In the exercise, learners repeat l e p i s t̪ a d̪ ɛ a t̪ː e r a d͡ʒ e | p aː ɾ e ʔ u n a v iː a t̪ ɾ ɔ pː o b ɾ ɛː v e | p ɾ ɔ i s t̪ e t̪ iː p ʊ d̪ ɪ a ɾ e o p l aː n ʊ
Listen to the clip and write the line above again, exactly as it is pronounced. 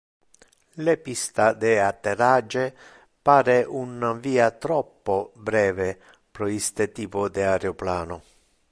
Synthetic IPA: l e p i s t̪ a d̪ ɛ a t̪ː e r a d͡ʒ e | p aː ɾ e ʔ u n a v iː a t̪ ɾ ɔ pː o b ɾ ɛː v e | p ɾ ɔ i s t̪ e t̪ iː p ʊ d̪ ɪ a ɾ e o p l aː n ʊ